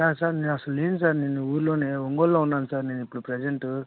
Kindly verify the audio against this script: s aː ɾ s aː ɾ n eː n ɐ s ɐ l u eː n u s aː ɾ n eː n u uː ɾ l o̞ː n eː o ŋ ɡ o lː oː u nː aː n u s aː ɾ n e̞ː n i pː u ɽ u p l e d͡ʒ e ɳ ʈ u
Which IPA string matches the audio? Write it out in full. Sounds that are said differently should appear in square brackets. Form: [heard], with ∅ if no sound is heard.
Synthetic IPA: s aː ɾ s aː ɾ n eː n ɐ s ɐ l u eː n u s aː ɾ n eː n u uː ɾ l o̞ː n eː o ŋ ɡ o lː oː u nː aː n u s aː ɾ n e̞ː n i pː u ɽ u p [ɾ] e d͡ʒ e ɳ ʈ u

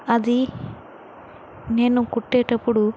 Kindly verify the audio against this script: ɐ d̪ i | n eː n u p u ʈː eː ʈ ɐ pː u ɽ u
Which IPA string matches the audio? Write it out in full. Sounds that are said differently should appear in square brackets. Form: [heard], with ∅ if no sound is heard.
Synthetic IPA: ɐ d̪ i | n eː n u [k] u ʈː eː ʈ ɐ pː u ɽ u

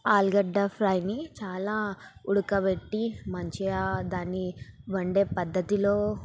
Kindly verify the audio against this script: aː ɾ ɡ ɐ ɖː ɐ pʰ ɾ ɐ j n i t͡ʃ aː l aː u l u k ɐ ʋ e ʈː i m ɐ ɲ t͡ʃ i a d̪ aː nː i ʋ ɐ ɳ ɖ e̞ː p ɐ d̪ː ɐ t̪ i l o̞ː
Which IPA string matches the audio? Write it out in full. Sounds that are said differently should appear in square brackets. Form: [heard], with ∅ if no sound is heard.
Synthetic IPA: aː [l] ɡ ɐ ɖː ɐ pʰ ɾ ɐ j n i t͡ʃ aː l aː u [ɽ] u k ɐ ʋ e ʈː i m ɐ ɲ t͡ʃ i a d̪ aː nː i ʋ ɐ ɳ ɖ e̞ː p ɐ d̪ː ɐ t̪ i l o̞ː

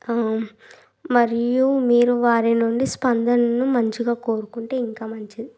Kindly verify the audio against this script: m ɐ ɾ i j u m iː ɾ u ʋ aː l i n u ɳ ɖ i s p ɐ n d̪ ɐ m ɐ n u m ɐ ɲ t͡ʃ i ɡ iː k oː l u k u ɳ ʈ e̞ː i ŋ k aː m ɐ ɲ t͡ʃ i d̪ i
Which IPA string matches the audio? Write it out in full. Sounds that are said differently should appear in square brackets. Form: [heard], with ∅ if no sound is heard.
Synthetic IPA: m ɐ ɾ i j u m iː ɾ u ʋ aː [ɾ] i n u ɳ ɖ i s p ɐ n d̪ ɐ [n] ɐ n u m ɐ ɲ t͡ʃ i ɡ [aː] k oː [ɾ] u k u ɳ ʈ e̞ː i ŋ k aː m ɐ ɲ t͡ʃ i d̪ i

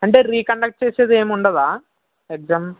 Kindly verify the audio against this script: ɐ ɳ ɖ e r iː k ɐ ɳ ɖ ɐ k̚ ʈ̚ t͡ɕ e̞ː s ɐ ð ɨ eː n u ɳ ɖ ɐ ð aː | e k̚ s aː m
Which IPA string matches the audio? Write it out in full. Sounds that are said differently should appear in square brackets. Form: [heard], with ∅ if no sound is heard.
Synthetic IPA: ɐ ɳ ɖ e r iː k ɐ ɳ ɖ ɐ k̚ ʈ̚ t͡ɕ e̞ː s ɐ ð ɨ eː [m] u ɳ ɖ ɐ ð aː | e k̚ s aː m

